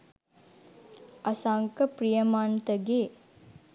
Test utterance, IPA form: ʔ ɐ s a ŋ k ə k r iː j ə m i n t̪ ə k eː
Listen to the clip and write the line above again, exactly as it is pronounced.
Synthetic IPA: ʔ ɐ s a ŋ k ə p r i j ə m a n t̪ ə ɡ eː

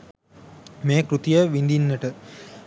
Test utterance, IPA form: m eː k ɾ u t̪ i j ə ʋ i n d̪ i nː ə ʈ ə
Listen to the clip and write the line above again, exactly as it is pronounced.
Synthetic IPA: m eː k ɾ u t̪ i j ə ʋ i n d̪ i nː ə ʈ ə

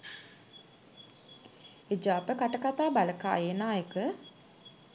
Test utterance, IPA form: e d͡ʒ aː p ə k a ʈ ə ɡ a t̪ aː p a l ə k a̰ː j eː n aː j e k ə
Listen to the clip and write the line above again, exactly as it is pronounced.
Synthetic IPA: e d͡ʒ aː p ə k a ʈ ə k a t̪ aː b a l ə k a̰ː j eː n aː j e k ə

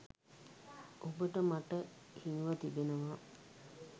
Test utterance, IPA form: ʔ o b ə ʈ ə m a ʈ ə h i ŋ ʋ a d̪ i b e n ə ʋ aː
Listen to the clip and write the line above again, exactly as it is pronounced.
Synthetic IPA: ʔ o b ə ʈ ə m a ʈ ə h i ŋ ʋ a t̪ i b e n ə ʋ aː

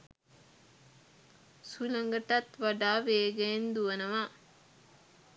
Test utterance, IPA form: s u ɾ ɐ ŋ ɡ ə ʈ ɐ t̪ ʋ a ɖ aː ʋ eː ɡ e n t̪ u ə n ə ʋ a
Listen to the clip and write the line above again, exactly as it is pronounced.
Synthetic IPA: s u l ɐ ŋ ɡ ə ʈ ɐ t̪ ʋ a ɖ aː ʋ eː ɡ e n d̪ u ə n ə ʋ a

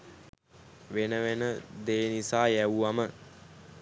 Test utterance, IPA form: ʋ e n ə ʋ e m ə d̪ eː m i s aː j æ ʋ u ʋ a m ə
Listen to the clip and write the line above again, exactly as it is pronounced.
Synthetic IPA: ʋ e n ə ʋ e n ə d̪ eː n i s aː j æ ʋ u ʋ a m ə

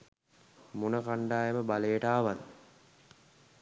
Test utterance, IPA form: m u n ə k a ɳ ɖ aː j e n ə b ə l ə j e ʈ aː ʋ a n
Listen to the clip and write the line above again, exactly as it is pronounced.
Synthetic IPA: m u n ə k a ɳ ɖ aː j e m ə b a l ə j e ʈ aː ʋ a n

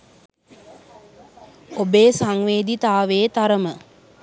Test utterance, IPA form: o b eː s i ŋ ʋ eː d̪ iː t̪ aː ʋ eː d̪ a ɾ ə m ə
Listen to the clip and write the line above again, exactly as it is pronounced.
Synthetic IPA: o b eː s a ŋ ʋ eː d̪ i t̪ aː ʋ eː t̪ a ɾ ə m ə

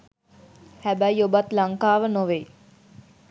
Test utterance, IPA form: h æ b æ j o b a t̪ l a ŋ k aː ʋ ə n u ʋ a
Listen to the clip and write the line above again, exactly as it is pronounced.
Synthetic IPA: h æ b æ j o b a t̪ l a ŋ k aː ʋ ə n o ʋ e

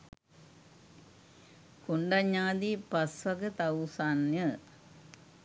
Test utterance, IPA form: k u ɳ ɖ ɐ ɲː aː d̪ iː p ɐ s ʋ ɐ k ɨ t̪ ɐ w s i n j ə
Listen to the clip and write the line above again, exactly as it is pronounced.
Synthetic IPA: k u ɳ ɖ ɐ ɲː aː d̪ i p ɐ s ʋ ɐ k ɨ t̪ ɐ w s a n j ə

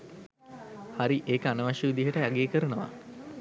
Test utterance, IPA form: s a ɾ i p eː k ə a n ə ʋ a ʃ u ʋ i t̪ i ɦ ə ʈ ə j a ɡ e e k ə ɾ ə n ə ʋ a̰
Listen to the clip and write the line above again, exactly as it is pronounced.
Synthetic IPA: h a ɾ i ʔ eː k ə a n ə ʋ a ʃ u ʋ i d̪ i ɦ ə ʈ ə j a ɡ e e k ə ɾ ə n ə ʋ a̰

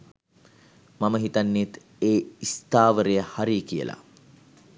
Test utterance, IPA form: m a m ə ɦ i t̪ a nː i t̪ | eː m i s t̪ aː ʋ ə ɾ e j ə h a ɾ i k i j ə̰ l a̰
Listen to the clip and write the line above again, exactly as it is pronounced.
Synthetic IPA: m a m ə ɦ i t̪ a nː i t̪ | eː i s t̪ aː ʋ ə ɾ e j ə h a ɾ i k i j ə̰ l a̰

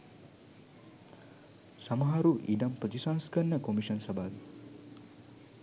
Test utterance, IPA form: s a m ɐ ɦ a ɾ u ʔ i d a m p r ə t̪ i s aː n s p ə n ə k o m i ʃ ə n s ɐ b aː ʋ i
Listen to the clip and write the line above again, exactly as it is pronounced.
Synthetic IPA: s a m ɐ ɦ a ɾ u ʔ i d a m p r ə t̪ i s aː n s k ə nː ə k o m i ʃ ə n s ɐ b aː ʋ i

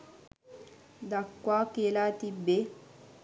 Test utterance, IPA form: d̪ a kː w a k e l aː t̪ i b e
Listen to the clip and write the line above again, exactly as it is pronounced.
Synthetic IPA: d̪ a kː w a k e l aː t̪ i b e

